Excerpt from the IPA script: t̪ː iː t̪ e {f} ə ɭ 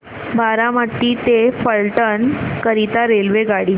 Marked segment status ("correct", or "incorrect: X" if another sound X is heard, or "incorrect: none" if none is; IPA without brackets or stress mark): correct